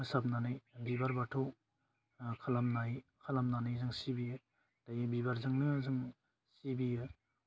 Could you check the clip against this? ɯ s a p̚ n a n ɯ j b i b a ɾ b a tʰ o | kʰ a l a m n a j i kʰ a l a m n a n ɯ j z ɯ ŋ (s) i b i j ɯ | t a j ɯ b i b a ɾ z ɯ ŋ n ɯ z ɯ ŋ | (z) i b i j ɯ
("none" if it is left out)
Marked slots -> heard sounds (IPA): s, s

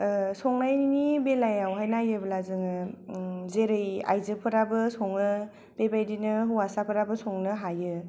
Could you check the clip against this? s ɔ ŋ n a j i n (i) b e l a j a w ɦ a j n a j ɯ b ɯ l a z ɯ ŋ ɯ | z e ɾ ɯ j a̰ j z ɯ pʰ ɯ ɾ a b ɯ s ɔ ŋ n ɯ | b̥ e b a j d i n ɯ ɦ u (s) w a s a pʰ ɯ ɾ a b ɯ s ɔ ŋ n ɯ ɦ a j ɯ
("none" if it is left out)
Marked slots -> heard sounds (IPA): i, none

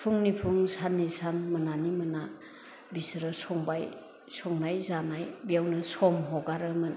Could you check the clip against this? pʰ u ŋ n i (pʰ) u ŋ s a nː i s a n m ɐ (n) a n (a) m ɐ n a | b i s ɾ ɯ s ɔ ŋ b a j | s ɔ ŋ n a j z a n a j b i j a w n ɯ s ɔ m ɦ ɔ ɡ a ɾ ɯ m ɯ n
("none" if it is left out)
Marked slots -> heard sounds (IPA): pʰ, n, i

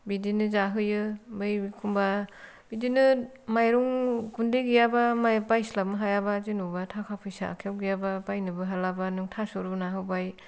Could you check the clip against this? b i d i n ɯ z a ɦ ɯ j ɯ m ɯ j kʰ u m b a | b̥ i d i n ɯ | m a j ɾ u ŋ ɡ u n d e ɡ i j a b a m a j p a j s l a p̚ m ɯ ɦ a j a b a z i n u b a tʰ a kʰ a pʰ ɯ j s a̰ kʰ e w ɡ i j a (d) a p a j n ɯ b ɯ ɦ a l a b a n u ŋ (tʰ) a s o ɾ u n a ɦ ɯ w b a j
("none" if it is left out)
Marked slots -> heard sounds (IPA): b, tʰ

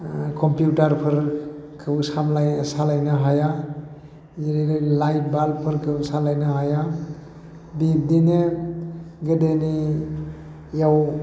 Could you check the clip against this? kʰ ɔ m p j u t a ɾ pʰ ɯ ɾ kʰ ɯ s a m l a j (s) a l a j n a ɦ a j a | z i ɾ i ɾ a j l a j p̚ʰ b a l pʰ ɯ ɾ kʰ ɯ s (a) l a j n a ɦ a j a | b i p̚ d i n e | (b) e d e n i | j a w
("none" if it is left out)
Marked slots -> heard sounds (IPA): s, a, ɡ

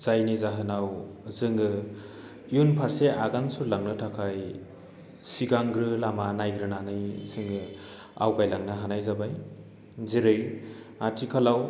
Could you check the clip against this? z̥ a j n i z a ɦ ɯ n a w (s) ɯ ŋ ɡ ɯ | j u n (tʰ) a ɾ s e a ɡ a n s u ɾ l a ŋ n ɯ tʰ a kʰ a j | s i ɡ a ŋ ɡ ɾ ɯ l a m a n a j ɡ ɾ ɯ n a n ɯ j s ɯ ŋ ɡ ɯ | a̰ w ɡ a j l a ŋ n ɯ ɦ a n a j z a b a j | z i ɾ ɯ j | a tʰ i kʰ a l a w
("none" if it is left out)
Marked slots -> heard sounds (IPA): z, pʰ

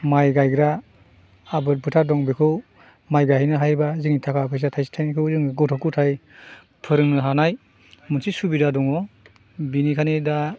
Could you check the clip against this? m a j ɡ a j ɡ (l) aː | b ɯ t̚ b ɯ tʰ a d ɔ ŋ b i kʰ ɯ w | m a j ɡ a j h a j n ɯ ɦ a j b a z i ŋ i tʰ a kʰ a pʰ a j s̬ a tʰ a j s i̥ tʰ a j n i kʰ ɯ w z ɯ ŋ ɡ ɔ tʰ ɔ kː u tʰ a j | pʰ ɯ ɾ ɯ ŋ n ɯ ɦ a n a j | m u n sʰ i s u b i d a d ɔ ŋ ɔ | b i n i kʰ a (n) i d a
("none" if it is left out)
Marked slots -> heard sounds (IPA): ɾ, n

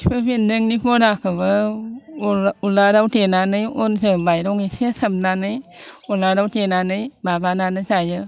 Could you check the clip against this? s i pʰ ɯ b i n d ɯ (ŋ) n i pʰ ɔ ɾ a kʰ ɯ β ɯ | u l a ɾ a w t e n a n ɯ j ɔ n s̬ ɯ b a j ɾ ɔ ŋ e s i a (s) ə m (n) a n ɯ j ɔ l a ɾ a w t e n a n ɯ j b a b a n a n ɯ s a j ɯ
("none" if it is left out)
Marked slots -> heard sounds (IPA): ŋ, s, n

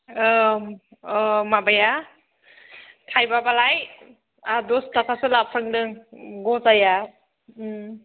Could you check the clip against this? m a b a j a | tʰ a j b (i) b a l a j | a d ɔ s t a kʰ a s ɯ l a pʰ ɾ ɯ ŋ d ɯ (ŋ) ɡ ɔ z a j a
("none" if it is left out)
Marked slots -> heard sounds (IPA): a, ŋ

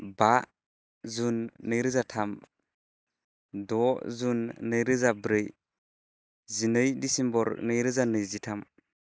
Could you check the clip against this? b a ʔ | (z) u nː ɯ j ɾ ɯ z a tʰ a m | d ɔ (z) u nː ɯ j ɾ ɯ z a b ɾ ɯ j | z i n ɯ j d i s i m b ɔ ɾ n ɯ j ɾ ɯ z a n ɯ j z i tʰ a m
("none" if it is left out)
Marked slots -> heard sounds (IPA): z, z

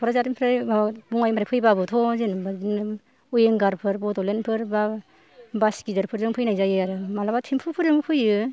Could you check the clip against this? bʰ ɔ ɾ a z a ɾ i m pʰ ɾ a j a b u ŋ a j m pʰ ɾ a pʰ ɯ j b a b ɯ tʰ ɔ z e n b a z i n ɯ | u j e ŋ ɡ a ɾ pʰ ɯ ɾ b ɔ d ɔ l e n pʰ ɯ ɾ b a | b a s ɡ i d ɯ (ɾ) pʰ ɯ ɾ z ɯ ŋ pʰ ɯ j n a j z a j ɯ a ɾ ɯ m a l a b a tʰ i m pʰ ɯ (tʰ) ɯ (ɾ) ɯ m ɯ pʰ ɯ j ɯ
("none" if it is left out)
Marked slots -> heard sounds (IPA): ɾ, pʰ, ɾ

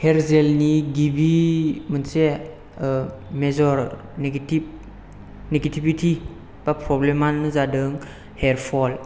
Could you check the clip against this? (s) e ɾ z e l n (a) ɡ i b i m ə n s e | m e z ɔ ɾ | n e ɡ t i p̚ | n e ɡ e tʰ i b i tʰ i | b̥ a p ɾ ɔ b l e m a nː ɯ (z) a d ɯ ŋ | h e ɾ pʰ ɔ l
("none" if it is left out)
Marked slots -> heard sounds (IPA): h, i, z

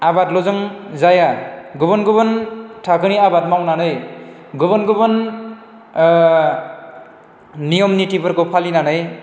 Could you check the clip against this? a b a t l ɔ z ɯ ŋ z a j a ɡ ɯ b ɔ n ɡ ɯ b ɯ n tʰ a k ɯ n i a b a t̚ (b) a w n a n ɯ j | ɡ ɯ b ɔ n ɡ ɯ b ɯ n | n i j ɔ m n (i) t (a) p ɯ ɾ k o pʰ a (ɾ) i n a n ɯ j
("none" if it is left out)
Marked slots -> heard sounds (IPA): m, i, i, l

